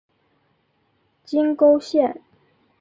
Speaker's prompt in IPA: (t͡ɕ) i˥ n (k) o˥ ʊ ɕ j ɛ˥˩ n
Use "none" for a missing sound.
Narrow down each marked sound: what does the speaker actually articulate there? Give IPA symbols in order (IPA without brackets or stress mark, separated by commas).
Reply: t͡ɕ, k